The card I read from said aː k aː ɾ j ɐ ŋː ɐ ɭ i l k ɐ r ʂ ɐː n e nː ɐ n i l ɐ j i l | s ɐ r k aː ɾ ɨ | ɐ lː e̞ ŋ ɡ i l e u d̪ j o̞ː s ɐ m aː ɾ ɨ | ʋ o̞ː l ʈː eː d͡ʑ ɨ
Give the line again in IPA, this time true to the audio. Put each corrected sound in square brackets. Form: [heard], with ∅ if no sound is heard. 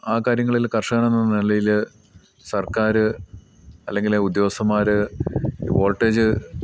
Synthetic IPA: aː k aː ɾ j ɐ ŋː ɐ ɭ i l k ɐ r ʂ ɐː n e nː ɐ n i l ɐ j i l | s ɐ r k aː ɾ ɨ | ɐ lː e̞ ŋ ɡ i l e u d̪ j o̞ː s ɐ m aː ɾ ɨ | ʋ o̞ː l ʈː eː d͡ʑ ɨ